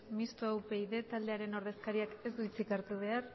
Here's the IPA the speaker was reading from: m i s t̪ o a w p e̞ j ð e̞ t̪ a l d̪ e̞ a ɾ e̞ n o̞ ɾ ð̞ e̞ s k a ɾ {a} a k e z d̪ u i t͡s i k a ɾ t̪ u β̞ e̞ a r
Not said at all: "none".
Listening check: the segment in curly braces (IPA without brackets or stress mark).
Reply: i